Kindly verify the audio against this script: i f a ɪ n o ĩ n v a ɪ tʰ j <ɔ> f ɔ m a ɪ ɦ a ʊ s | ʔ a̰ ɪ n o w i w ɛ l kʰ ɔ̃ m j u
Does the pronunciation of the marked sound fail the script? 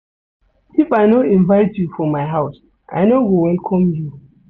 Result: yes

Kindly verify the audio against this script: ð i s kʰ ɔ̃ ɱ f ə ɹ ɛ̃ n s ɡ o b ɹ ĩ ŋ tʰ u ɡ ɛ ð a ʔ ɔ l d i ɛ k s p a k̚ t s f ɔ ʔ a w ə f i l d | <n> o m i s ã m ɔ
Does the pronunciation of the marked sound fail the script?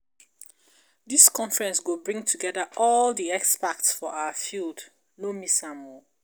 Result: no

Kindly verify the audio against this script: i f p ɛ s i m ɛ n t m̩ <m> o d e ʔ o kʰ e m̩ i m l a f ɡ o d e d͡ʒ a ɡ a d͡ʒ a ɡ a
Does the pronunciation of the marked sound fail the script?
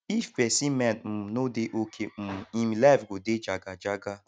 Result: yes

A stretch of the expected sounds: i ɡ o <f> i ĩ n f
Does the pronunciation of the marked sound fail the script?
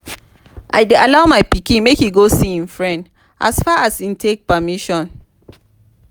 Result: yes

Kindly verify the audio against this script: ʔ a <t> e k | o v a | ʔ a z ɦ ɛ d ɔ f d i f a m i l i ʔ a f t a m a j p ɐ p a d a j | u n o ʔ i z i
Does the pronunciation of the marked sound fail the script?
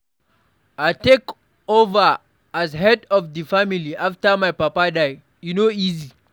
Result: no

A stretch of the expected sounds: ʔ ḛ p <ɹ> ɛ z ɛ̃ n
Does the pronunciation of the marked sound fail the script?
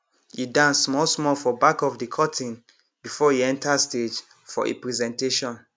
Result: no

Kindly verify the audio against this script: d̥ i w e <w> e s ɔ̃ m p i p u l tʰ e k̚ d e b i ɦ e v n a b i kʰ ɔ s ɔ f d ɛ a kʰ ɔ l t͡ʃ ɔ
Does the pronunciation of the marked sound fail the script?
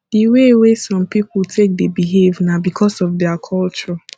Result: no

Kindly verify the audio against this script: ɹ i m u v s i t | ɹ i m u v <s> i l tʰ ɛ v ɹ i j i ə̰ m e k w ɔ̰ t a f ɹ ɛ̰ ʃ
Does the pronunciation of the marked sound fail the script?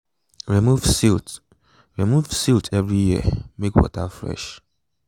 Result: no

